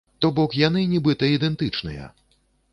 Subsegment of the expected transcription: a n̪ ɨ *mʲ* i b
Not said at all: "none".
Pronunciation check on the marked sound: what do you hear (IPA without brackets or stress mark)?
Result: nʲ